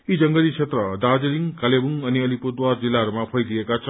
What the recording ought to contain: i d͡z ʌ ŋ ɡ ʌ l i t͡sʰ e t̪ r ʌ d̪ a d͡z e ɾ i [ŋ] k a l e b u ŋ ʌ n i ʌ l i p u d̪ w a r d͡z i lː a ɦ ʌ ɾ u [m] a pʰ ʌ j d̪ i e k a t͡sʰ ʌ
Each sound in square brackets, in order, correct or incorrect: correct, correct

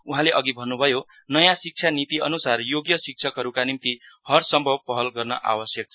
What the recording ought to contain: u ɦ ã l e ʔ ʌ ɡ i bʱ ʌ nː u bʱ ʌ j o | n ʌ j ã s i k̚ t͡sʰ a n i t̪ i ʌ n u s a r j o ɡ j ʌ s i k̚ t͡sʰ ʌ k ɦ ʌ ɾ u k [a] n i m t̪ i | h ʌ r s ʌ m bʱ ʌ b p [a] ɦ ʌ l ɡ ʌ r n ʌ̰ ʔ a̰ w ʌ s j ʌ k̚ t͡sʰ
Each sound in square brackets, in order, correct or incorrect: correct, incorrect: ʌ

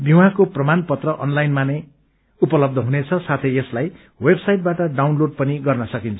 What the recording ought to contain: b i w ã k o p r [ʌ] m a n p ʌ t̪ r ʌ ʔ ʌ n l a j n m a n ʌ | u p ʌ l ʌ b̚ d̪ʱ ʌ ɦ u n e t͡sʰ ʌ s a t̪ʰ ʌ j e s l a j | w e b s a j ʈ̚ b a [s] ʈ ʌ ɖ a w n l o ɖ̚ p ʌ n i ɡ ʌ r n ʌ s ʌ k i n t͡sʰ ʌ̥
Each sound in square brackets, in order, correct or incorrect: correct, incorrect: none

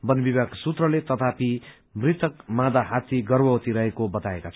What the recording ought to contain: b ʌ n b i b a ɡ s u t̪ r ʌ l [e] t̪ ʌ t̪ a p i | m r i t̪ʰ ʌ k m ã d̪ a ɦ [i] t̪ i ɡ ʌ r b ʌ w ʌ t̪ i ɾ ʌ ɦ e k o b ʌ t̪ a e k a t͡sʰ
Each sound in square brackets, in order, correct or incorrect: correct, incorrect: a

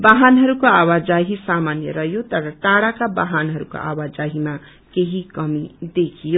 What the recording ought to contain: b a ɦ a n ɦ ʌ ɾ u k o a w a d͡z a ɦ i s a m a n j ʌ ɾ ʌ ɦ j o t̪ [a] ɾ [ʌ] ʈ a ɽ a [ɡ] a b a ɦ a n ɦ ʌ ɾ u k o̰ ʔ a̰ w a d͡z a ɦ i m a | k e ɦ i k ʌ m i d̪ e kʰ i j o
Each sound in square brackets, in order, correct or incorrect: incorrect: ʌ, correct, incorrect: k

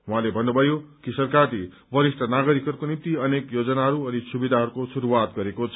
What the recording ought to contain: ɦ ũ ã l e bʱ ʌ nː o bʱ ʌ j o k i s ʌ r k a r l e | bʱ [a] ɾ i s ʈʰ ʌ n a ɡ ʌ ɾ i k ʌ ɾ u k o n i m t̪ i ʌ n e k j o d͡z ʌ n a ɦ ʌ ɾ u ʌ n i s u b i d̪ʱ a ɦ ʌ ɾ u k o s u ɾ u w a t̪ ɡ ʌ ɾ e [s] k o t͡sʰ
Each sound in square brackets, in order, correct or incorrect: incorrect: ʌ, incorrect: none

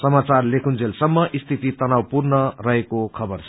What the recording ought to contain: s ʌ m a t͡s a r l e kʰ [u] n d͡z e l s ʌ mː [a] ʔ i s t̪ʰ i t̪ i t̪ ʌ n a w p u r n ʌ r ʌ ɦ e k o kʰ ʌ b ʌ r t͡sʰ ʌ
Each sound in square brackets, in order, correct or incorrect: correct, incorrect: ʌ

